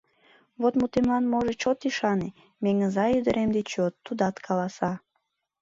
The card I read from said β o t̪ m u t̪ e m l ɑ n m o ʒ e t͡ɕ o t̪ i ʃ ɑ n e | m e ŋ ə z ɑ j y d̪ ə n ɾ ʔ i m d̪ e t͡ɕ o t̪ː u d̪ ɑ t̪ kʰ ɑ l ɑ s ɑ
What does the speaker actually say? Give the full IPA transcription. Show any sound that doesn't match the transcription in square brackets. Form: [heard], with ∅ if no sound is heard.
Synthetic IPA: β o t̪ m u t̪ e m l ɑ n m o ʒ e t͡ɕ o t̪ i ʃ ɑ n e | m e ŋ ə z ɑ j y d̪ ə [∅] ɾ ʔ [e] m d̪ e t͡ɕ o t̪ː u d̪ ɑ t̪ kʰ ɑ l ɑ s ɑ

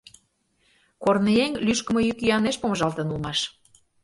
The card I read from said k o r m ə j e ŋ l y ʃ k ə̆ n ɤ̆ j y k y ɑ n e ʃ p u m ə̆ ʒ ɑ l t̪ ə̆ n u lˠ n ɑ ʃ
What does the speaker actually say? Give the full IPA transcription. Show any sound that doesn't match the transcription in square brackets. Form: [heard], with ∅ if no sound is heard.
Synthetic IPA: k o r [n] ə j e ŋ l y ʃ k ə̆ [m] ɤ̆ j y k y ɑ n e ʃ p [o] m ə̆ ʒ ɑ l t̪ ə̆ n u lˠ [m] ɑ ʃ

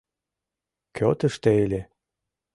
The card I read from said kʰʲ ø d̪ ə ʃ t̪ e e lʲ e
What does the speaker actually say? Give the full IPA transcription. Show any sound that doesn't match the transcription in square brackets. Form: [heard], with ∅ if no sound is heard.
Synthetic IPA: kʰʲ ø [t̪] ə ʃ t̪ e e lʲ e

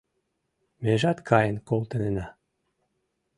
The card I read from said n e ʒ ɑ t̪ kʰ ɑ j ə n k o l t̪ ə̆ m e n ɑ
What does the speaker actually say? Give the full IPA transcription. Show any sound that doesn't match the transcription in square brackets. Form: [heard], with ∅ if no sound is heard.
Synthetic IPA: [m] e ʒ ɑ t̪ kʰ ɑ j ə n k o l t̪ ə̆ [n] e n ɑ

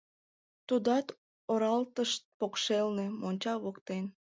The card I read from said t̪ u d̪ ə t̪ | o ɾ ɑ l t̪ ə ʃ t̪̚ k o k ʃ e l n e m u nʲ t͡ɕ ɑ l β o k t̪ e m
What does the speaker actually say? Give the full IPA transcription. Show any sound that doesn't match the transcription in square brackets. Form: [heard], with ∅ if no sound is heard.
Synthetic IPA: t̪ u d̪ [ɑ] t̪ | o ɾ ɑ l t̪ ə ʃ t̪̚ [p] o k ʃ e l n e m [o] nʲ t͡ɕ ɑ [∅] β o k t̪ e [n]

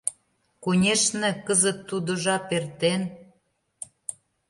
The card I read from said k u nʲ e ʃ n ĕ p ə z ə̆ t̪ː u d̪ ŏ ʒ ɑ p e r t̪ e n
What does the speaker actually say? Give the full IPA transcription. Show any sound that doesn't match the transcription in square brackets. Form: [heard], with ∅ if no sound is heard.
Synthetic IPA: k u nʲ e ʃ n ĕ [k] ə z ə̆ t̪ː u d̪ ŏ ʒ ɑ p e r t̪ e n

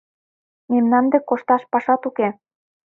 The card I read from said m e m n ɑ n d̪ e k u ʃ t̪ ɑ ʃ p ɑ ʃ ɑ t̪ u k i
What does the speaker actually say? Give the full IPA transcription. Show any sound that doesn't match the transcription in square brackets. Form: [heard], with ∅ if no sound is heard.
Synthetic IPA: m e m n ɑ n d̪ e k [o] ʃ t̪ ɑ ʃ p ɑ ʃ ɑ t̪ u k [e]

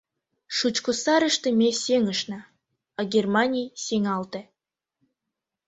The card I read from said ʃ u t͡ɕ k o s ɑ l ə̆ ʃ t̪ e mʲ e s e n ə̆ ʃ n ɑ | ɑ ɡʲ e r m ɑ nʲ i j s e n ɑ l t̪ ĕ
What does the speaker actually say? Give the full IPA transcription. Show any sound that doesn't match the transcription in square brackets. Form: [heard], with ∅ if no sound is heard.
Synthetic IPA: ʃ u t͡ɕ k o s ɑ [ɾ] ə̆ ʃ t̪ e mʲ e s e [ŋ] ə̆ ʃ n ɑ | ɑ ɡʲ e r m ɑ nʲ i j s e [ŋ] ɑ l t̪ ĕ

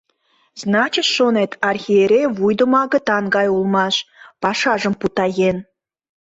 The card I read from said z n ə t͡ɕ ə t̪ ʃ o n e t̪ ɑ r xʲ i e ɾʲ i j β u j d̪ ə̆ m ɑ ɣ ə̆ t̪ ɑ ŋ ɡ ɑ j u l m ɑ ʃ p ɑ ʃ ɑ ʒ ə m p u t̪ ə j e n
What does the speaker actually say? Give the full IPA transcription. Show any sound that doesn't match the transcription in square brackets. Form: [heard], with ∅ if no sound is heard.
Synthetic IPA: z n [ɑ] t͡ɕ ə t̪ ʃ o n e t̪ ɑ r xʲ i e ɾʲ [e] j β u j d̪ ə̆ m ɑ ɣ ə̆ t̪ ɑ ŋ ɡ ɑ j u l m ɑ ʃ p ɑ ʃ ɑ ʒ ə m p u t̪ [ɑ] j e n

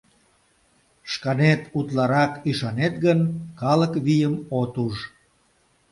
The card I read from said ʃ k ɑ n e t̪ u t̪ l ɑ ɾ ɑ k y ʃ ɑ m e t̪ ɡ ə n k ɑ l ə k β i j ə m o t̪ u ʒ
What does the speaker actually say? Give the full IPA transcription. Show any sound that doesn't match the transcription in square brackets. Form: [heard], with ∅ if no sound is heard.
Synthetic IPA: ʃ k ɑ n e t̪ u t̪ l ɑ ɾ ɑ k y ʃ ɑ [n] e t̪ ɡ ə n k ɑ l ə k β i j ə m o t̪ u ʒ

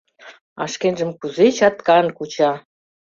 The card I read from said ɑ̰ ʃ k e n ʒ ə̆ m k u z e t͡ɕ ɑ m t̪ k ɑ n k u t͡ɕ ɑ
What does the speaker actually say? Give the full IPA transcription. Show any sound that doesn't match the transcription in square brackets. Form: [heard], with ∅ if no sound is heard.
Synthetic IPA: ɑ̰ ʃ k e n ʒ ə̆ m k u z e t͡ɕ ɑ [∅] t̪ k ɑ n k u t͡ɕ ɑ

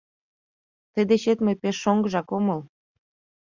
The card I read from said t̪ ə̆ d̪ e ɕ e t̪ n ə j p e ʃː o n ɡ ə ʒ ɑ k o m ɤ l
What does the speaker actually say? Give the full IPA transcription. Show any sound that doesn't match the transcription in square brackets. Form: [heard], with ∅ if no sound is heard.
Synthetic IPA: t̪ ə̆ d̪ e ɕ e t̪ [m] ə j p e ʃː o [ŋ] ɡ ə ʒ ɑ k o m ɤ l

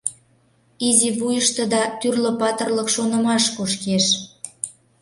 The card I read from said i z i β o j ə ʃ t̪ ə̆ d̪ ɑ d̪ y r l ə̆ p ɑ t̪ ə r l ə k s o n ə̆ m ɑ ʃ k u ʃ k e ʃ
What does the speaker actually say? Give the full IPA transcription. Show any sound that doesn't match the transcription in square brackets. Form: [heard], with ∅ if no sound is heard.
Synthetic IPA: i z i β [u] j ə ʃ t̪ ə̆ d̪ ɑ [t̪] y r l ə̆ p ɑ t̪ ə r l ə k [ʃ] o n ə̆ m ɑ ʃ k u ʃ k e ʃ

